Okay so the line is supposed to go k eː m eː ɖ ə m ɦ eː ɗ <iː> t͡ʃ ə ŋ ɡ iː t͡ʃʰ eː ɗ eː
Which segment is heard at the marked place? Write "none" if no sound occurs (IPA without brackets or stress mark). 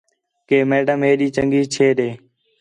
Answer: iː